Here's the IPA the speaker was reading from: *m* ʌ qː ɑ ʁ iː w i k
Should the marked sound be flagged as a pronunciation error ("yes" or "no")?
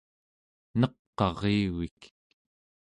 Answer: yes